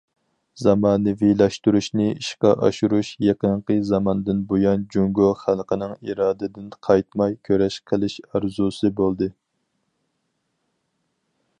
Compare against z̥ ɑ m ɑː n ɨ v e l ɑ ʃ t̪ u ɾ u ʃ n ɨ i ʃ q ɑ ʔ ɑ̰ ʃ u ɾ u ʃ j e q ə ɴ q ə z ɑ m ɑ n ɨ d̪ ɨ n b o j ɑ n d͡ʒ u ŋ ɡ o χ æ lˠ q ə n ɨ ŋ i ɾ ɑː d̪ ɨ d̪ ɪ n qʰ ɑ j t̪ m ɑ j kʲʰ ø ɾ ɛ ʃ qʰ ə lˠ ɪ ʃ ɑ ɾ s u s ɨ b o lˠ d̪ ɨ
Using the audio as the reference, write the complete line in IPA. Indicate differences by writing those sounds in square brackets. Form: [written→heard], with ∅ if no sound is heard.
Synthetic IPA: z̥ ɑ m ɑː n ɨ v [e→i] l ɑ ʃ t̪ u ɾ u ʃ n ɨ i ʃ q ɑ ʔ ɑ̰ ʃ u ɾ u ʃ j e q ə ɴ q ə z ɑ m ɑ n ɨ d̪ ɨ n b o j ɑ n d͡ʒ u ŋ ɡ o χ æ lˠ q ə n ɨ ŋ i ɾ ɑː d̪ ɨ d̪ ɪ n qʰ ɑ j t̪ m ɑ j kʲʰ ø ɾ ɛ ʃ qʰ ə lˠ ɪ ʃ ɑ ɾ [s→z] u s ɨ b o lˠ d̪ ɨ